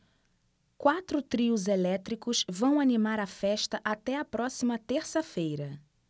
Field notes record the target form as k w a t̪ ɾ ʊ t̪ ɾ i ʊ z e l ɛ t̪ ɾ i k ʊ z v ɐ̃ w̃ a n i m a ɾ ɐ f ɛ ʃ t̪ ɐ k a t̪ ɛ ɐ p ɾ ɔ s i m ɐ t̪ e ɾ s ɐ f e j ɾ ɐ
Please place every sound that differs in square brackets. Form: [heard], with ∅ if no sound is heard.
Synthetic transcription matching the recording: k w a t̪ ɾ ʊ t̪ ɾ i ʊ z e l ɛ t̪ ɾ i k ʊ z v ɐ̃ w̃ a n i m a ɾ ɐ f ɛ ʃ t̪ ɐ [ʔ] a t̪ ɛ ɐ p ɾ ɔ s i m ɐ t̪ e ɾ s ɐ f e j ɾ ɐ